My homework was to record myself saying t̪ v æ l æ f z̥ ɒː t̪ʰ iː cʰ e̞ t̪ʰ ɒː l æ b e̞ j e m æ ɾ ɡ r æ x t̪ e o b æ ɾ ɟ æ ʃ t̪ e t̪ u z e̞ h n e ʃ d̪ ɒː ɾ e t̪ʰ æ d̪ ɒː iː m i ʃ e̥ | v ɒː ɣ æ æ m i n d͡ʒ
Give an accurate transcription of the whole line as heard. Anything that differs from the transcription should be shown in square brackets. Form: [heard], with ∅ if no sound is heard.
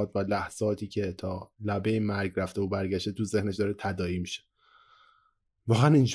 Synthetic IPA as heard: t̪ v æ l æ [h] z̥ ɒː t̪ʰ iː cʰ e̞ t̪ʰ ɒː l æ b e̞ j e m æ ɾ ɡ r æ [f] t̪ e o b æ ɾ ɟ æ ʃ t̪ e t̪ u z e̞ h n e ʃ d̪ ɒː ɾ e t̪ʰ æ d̪ ɒː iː m i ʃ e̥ | v ɒː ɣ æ æ [n] i n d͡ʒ